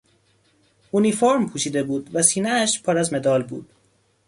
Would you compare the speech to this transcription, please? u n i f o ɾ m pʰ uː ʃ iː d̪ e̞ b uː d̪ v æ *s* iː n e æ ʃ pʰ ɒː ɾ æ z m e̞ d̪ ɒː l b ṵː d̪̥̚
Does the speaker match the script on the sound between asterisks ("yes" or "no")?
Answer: yes